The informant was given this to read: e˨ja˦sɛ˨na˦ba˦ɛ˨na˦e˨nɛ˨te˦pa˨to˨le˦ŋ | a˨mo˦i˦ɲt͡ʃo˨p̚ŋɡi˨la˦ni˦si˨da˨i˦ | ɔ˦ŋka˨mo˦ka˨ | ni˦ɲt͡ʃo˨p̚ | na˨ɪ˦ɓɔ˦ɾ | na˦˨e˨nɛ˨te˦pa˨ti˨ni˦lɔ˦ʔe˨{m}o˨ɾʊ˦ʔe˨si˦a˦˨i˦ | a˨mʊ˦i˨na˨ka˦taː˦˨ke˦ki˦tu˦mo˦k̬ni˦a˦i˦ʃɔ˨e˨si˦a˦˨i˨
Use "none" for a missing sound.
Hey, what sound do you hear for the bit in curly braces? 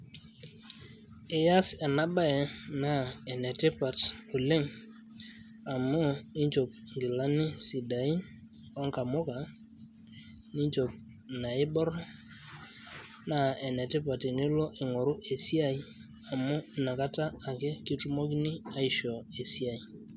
ŋ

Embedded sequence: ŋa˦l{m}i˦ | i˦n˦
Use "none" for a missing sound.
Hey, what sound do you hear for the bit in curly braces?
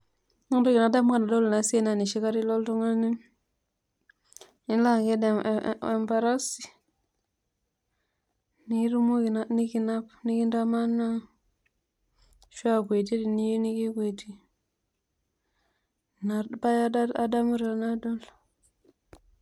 n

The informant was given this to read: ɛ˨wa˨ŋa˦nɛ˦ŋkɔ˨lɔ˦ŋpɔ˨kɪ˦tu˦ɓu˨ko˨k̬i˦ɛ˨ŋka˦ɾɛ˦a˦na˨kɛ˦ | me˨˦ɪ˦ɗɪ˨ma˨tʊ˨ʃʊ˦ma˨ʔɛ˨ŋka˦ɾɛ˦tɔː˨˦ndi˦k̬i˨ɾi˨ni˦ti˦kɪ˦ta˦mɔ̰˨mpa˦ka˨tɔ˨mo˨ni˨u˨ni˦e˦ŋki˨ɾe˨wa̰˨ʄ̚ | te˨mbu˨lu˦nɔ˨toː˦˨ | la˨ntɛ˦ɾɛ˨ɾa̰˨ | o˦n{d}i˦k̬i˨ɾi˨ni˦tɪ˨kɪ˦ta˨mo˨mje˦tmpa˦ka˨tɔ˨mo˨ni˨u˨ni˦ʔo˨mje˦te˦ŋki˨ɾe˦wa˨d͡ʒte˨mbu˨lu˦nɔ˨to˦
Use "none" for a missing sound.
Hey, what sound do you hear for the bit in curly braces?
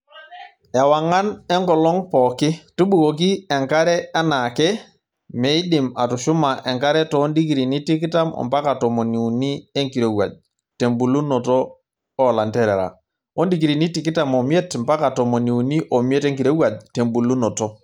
d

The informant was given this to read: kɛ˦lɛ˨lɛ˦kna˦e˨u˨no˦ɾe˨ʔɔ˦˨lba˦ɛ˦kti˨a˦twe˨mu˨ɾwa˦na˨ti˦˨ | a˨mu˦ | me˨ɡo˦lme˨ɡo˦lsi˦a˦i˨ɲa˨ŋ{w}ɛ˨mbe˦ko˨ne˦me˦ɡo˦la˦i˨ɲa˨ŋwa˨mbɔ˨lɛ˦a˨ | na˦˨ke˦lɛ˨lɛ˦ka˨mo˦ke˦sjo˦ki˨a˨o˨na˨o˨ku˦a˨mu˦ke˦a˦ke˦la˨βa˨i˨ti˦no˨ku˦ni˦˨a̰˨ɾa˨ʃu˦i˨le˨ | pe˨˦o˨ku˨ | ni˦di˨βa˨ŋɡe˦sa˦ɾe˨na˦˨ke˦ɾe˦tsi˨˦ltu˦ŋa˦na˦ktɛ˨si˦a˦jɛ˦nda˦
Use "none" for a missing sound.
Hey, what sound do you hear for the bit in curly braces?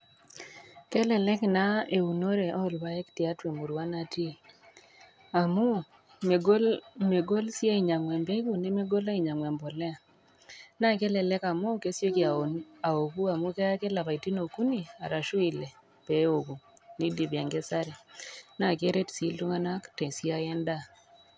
w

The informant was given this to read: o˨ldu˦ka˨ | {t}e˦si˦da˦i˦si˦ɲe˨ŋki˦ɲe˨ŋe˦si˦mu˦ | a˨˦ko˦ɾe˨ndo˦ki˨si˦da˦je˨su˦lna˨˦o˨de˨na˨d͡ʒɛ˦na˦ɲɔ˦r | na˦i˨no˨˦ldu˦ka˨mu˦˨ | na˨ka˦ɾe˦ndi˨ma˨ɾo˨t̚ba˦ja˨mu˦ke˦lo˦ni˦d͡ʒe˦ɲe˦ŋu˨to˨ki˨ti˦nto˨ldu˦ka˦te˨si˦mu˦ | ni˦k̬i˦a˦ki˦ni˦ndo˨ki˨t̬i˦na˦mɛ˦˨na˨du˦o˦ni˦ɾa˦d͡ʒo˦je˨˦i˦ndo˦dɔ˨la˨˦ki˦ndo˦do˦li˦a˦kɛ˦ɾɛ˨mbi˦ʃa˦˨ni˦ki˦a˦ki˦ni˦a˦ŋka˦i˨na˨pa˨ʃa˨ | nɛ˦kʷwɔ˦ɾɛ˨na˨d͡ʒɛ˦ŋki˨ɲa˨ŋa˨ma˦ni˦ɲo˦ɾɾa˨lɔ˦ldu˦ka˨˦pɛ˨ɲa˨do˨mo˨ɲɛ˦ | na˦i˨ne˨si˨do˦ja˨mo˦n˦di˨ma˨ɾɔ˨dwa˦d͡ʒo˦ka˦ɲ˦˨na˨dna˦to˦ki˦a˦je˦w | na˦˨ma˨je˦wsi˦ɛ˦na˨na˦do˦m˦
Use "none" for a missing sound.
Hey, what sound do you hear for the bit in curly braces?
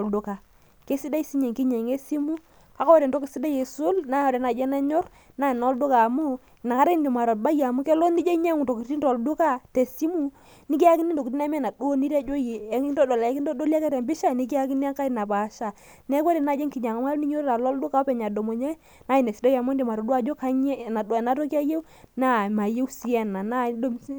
k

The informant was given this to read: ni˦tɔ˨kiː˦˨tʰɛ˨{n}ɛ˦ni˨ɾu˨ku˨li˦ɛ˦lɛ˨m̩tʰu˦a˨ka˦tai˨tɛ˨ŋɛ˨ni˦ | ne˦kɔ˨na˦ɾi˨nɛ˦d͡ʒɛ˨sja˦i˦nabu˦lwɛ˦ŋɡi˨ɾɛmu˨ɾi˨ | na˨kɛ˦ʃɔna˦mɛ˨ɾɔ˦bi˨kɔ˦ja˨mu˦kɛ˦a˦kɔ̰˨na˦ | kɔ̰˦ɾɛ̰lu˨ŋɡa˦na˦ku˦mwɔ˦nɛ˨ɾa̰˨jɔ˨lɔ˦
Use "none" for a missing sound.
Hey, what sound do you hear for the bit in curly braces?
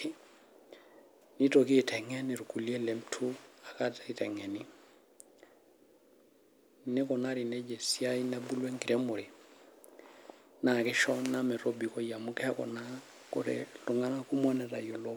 ŋ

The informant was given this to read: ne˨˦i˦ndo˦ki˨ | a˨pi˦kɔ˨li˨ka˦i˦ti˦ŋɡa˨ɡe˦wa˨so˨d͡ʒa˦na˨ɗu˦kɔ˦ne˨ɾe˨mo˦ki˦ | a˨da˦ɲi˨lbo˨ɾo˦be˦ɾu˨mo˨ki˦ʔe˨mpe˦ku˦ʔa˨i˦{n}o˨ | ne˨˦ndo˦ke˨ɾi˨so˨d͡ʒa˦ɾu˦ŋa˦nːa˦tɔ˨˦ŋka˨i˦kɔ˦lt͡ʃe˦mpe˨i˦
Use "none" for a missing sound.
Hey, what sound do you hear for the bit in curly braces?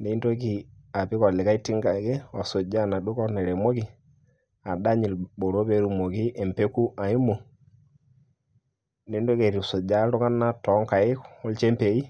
m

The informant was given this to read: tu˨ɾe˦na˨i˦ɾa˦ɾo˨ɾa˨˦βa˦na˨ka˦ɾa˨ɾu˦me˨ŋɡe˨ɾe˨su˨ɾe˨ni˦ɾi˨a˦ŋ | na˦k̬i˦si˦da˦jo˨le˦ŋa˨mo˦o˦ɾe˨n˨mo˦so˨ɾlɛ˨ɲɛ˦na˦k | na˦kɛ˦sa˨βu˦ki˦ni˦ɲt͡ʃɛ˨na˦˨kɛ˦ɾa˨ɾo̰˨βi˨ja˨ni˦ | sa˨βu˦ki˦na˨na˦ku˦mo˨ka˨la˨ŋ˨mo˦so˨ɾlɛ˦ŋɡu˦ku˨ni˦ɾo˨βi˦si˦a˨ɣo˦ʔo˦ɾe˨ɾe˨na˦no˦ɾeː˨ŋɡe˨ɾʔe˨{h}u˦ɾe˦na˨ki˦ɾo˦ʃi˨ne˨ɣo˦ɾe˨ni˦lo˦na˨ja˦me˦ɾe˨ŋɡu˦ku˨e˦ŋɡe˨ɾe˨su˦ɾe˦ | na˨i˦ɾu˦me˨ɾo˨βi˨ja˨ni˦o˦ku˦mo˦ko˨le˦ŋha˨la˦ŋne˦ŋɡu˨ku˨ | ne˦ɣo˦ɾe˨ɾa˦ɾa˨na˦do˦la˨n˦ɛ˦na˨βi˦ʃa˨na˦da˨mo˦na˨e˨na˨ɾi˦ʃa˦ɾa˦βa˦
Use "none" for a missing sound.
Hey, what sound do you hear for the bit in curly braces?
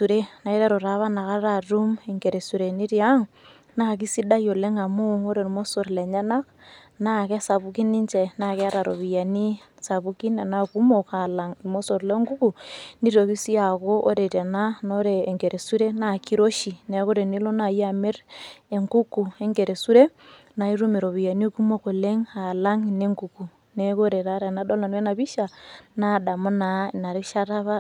s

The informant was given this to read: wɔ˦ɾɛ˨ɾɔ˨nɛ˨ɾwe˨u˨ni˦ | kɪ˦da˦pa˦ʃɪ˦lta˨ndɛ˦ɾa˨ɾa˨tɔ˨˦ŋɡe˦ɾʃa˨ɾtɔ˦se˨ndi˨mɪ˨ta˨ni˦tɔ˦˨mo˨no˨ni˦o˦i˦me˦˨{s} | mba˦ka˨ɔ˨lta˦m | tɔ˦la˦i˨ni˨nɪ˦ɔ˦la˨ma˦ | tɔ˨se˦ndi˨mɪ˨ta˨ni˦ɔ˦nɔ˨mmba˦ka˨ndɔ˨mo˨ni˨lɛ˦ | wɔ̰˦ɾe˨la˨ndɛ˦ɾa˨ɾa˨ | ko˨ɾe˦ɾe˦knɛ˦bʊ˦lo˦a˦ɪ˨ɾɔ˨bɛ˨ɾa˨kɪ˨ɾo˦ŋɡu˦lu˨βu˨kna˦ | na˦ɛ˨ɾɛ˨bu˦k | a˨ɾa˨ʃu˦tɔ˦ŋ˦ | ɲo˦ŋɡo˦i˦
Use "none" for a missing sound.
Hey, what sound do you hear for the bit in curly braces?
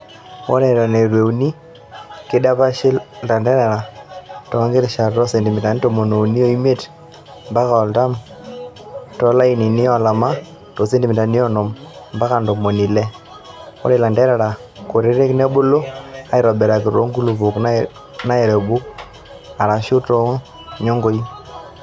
t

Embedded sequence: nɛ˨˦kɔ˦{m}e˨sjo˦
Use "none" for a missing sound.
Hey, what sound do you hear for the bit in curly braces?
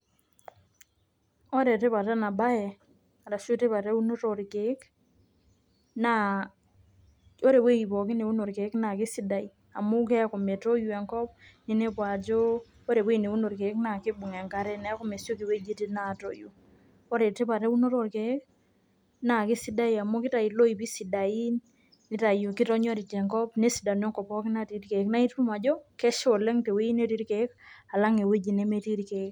m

